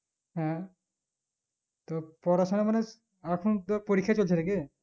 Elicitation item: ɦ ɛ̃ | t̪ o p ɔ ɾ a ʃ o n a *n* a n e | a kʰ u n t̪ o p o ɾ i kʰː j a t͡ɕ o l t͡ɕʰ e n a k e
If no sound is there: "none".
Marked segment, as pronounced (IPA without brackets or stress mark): m